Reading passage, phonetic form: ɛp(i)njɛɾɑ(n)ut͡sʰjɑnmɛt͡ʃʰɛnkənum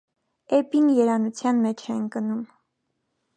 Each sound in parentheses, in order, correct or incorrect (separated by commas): correct, correct